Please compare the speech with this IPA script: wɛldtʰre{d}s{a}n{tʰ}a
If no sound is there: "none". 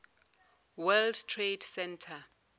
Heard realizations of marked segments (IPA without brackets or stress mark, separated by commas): d, ɛ, tʰ